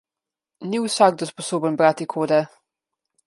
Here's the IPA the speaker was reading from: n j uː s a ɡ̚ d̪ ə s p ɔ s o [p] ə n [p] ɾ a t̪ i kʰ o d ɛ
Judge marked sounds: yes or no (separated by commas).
no, no